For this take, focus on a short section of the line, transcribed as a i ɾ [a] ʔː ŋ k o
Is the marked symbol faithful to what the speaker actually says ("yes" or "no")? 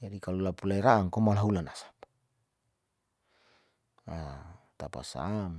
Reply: yes